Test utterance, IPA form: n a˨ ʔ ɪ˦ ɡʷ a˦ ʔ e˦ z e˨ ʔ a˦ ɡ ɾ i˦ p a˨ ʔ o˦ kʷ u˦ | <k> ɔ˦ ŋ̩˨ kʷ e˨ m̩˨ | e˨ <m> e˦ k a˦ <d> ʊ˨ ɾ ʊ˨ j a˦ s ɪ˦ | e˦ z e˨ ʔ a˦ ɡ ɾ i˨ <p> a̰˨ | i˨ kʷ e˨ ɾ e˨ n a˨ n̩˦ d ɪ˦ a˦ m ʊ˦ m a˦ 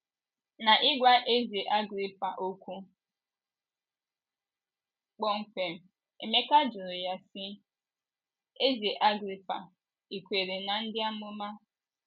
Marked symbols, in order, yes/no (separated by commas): no, yes, no, yes